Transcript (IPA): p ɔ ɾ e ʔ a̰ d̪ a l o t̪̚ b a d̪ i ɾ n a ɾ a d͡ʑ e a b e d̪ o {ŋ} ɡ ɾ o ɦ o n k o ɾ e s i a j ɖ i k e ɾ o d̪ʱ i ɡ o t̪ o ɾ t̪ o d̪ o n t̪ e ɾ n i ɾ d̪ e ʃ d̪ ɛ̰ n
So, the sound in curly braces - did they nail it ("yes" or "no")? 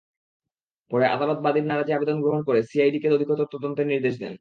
no